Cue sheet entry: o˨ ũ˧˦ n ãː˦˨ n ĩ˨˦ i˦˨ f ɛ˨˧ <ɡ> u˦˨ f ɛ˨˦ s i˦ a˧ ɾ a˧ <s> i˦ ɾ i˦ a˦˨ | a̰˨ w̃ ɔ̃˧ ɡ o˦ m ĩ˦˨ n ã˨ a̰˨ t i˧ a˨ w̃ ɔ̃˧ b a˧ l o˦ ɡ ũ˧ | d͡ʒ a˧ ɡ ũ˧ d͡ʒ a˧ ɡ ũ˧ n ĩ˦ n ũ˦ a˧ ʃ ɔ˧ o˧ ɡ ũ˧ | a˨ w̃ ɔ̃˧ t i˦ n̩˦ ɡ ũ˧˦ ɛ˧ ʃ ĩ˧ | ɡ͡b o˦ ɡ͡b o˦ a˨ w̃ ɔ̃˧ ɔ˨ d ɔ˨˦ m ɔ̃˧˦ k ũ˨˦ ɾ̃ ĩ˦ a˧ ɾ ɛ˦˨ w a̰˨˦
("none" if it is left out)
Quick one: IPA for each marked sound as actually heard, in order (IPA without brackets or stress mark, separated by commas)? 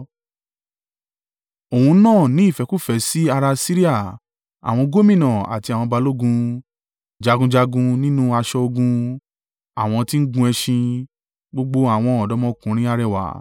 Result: k, s